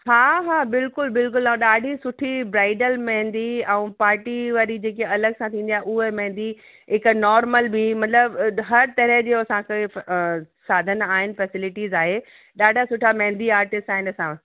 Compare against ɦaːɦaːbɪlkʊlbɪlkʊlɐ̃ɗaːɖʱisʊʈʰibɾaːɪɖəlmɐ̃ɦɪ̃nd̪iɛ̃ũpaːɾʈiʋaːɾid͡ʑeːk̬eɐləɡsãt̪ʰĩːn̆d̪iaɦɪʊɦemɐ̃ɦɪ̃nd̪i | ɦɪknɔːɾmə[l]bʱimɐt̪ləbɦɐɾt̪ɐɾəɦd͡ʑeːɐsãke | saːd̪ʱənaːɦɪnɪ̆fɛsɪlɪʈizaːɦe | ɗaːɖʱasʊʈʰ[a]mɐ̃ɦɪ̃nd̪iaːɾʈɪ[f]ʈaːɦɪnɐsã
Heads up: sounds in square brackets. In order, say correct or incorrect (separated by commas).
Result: correct, correct, incorrect